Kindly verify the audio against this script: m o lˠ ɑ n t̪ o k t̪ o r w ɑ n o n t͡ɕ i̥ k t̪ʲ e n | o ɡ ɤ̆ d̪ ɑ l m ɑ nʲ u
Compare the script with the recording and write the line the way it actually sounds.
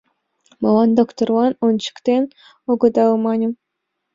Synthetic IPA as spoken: m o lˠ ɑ n d̪ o k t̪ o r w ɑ n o n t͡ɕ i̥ k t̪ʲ e n | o ɡ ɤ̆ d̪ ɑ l m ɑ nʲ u

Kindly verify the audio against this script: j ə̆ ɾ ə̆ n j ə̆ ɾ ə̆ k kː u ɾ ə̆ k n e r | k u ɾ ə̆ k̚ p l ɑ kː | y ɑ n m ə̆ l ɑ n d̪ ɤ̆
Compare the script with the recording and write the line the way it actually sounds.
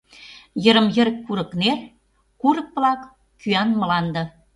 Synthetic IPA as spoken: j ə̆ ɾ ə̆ m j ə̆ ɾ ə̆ k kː u ɾ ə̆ k n e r | k u ɾ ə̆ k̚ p l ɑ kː | y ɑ n m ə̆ l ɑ n d̪ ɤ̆

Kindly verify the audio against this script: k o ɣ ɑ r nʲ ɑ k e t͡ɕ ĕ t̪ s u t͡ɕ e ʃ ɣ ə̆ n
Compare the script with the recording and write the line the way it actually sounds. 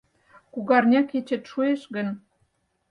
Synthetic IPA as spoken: k u ɣ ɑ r nʲ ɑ k e t͡ɕ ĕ t̪ ʃ u e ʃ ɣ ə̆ n

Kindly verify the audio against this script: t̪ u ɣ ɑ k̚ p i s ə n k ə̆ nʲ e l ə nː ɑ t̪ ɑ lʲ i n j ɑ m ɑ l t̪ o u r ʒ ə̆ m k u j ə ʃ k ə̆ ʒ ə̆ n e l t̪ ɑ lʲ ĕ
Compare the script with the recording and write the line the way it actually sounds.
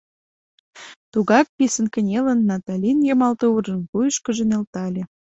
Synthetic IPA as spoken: t̪ u ɣ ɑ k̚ p i s ə n k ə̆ nʲ e l ə nː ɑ t̪ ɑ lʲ i n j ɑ m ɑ l t̪ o u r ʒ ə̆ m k u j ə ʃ k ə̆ ʒ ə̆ n e l t̪ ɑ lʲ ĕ

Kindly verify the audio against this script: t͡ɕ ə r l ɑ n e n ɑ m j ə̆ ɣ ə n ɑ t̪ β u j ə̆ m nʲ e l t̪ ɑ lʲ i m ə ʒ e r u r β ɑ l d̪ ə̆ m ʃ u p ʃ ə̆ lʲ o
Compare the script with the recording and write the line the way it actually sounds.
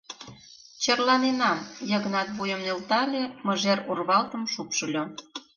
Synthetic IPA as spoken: t͡ɕ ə r l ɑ n e n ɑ m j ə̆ ɣ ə n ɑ t̪ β u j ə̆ m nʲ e l t̪ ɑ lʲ e m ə ʒ e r u r β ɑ l t̪ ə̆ m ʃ u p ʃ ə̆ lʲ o

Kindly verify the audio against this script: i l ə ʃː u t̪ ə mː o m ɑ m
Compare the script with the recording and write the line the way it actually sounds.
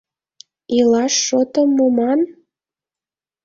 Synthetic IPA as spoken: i l ɑ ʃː o t̪ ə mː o m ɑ n

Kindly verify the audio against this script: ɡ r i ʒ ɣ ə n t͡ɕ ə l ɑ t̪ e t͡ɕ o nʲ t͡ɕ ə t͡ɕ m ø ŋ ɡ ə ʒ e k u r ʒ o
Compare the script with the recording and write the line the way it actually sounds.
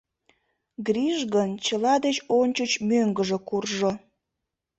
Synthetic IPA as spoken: ɡ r i ʒ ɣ ə n t͡ɕ ə l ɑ d̪ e t͡ɕ o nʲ t͡ɕ ə t͡ɕ m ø ŋ ɡ ə ʒ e k u r ʒ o

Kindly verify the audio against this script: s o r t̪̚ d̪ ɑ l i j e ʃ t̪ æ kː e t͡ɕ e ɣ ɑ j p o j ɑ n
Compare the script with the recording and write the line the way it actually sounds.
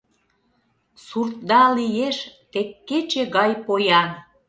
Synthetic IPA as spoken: s u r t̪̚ d̪ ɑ l i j e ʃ t̪ e kː e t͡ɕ e ɣ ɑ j p o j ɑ n

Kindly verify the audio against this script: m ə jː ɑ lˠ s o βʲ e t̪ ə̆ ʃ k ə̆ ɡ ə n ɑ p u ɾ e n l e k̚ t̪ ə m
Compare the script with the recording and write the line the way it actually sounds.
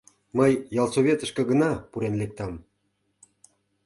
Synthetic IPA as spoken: m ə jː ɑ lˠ s o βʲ e t̪ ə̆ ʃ k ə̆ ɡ ə n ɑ p u ɾ e n l e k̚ t̪ ɑ m

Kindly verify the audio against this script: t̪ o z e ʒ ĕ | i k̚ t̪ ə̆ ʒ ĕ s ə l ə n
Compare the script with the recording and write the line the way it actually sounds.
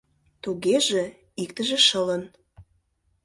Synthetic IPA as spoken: t̪ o ɣ e ʒ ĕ | i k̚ t̪ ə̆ ʒ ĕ ʃ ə l ə n

